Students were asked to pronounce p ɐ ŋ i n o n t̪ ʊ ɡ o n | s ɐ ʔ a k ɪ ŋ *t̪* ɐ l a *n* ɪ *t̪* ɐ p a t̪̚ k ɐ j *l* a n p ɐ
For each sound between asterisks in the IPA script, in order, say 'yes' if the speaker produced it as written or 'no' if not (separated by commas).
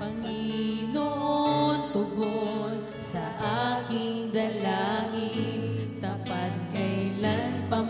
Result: no, no, yes, yes